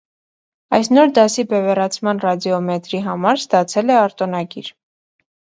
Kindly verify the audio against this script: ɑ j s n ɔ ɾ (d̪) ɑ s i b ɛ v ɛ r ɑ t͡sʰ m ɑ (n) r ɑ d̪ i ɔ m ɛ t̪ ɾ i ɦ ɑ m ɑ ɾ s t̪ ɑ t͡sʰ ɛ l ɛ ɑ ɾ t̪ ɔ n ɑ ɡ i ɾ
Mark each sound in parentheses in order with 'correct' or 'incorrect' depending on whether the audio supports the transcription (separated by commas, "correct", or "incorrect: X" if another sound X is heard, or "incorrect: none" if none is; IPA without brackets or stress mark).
correct, correct